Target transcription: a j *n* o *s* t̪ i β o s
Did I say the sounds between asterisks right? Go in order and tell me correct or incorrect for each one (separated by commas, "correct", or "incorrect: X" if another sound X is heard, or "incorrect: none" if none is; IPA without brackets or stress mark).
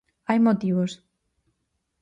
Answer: incorrect: m, incorrect: none